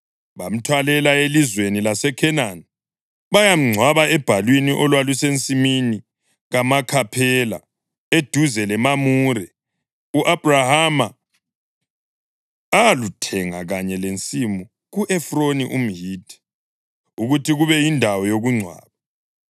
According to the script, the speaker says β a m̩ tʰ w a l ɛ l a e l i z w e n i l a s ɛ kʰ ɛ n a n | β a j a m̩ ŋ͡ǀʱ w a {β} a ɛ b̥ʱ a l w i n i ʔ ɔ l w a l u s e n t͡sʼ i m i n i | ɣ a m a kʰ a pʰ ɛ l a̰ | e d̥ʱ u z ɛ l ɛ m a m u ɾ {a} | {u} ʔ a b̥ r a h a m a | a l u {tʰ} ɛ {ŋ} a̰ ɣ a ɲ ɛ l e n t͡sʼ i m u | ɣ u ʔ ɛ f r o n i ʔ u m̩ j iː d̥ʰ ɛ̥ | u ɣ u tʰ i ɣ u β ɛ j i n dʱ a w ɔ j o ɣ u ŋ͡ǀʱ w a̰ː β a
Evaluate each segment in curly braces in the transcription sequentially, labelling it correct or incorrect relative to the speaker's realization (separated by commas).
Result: correct, incorrect, correct, correct, correct